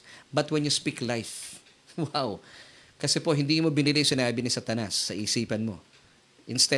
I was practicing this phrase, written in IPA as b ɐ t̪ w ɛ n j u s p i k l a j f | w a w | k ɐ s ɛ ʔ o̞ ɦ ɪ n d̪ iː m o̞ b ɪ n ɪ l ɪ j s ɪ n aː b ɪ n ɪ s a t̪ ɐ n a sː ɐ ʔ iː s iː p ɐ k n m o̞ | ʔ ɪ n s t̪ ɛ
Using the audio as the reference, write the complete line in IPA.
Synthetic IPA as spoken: b ɐ t̪ w ɛ n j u s p i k l a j f | w a w | k ɐ s ɛ p o̞ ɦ ɪ n d̪ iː m o̞ b ɪ n ɪ l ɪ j s ɪ n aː b ɪ n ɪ s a t̪ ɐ n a sː ɐ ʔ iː s iː p ɐ n m o̞ | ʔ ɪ n s t̪ ɛ